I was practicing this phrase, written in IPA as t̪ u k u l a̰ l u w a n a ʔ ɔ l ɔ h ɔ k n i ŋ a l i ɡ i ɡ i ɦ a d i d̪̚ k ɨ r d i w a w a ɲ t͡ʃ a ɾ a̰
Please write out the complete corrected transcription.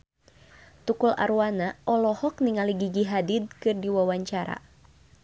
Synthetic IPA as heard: t̪ u k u l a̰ ɾ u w a n a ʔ ɔ l ɔ h ɔ k n i ŋ a l i ɡ i ɡ i ɦ a d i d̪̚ k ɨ r d i w a w a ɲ t͡ʃ a ɾ a̰